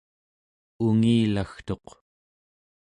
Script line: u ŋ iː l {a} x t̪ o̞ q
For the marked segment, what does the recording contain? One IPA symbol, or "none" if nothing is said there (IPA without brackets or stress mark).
a